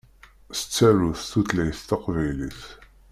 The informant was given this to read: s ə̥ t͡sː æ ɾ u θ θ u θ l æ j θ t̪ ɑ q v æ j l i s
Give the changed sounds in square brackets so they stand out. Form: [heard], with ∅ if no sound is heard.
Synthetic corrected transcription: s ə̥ t͡sː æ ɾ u θ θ u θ l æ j θ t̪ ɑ q v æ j l i [θ]